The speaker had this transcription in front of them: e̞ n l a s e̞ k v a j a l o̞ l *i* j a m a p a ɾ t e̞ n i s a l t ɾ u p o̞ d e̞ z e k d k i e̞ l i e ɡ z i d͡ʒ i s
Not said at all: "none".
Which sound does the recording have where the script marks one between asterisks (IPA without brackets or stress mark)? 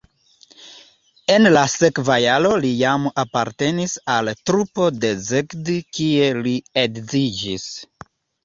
i